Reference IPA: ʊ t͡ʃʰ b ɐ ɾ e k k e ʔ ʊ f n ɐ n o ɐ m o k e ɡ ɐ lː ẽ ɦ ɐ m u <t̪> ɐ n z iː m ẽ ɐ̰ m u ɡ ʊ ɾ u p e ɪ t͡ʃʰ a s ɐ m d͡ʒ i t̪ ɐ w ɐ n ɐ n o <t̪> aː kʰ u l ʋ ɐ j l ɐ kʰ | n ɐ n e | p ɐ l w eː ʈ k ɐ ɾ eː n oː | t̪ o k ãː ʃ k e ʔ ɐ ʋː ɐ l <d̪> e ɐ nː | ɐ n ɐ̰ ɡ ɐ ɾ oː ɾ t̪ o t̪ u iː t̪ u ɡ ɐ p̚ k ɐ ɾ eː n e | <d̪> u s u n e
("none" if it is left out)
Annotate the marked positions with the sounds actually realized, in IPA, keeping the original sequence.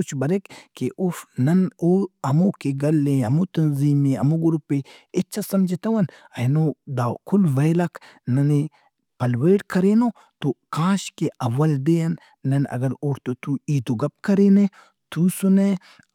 t̪, d̪, d̪, t̪

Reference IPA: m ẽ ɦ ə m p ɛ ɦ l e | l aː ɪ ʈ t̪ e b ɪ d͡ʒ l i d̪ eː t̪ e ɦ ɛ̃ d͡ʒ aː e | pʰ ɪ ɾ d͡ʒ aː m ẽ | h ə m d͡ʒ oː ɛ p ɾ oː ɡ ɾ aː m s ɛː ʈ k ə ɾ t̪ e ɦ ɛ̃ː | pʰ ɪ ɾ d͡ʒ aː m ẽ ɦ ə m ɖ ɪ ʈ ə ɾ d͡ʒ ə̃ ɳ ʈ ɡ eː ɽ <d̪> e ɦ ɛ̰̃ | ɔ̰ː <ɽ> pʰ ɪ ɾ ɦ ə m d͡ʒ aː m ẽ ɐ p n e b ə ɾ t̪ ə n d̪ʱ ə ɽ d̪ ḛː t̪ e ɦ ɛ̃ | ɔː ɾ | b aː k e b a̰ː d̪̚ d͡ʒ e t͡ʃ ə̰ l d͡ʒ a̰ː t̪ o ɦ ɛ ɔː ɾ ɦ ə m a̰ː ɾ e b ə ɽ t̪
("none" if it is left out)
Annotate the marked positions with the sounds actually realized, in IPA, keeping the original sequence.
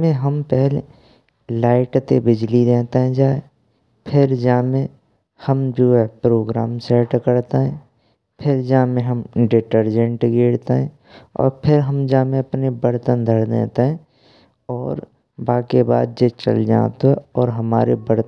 t̪, ɾ

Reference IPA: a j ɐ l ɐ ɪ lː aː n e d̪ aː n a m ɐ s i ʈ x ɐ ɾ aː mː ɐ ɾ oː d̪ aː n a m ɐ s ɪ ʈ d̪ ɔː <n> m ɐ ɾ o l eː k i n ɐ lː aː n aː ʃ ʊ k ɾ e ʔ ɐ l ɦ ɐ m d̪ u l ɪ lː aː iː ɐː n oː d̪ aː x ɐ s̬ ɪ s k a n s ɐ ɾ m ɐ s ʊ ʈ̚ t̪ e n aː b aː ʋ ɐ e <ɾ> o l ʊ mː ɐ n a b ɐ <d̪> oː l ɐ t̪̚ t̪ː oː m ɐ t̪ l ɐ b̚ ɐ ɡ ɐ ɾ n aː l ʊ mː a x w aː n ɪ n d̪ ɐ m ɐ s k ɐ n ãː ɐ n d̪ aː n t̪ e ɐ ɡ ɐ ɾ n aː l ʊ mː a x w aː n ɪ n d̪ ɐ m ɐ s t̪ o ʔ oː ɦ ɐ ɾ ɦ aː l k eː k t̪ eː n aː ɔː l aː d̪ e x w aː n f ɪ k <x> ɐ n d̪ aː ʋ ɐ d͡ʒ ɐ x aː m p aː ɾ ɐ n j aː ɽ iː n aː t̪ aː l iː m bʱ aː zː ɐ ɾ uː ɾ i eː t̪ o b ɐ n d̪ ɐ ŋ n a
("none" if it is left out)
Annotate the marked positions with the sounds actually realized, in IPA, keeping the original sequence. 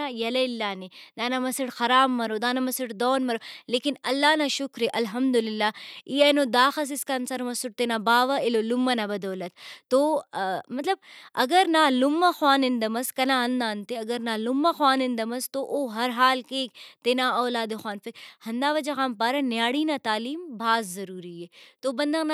n, l, d̪, h

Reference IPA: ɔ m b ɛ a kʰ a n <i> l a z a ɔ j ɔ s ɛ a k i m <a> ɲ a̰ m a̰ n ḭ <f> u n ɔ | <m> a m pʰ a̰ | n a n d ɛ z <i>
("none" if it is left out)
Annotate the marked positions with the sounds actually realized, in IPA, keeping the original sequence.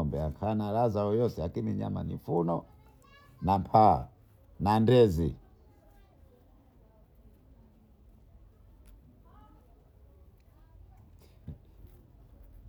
a, i, f, n, i

